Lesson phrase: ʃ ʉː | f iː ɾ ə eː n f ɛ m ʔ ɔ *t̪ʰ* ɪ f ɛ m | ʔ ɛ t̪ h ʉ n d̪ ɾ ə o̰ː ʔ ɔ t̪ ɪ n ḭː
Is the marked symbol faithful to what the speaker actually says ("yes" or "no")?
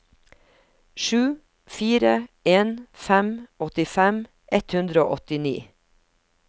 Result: no